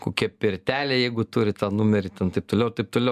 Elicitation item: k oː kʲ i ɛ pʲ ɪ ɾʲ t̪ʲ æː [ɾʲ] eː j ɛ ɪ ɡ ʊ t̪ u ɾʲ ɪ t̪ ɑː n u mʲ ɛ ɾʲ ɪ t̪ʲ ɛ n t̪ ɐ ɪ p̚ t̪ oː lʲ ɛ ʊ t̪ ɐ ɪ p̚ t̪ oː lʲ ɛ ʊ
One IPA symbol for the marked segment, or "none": lʲ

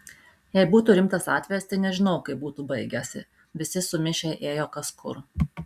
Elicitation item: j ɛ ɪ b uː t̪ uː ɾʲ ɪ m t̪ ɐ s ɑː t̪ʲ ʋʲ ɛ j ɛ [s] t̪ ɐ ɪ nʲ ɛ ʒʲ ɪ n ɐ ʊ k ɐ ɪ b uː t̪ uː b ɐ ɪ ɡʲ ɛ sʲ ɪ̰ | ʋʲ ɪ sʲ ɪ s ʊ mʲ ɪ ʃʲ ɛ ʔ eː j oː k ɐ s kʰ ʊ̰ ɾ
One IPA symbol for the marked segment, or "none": s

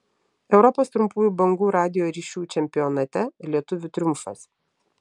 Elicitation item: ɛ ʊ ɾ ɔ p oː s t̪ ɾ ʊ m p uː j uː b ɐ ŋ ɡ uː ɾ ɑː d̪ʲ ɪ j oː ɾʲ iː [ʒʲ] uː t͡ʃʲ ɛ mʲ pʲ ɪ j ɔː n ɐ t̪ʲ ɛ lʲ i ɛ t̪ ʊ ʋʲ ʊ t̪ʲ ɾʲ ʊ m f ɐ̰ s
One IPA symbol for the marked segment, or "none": ʃʲ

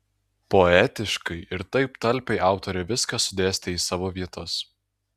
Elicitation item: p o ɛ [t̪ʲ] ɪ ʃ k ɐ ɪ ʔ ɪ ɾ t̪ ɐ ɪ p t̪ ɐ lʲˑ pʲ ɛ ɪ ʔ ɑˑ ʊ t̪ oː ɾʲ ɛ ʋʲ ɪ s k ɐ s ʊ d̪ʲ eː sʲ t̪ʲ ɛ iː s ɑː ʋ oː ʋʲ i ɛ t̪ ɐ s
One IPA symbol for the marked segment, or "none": t̪ʲ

